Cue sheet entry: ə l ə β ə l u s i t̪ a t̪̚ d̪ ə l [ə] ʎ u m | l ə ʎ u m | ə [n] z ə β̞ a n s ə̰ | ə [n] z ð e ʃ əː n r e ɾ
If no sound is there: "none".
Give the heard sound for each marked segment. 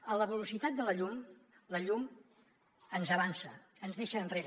ə, n, n

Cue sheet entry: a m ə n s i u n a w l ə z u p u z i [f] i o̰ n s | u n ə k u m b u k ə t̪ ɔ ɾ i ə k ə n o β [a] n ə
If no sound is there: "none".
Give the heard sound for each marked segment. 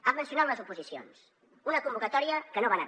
s, a

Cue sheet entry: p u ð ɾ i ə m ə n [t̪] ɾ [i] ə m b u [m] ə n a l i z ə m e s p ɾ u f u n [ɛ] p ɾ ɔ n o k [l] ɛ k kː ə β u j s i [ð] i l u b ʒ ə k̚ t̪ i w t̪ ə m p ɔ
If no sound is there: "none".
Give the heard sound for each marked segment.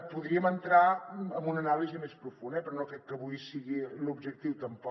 t̪, a, n, ɛ, ɾ, ɣ

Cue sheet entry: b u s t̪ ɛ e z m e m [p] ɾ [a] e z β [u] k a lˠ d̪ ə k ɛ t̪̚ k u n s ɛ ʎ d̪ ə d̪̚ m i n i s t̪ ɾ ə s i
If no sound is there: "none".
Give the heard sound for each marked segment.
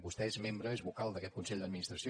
b, ə, u

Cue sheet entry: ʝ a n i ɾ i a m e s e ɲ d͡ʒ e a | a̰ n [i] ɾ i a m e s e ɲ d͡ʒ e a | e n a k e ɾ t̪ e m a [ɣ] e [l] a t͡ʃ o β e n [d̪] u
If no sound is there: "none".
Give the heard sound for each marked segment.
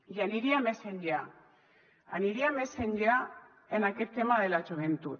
i, ð, l, t̪

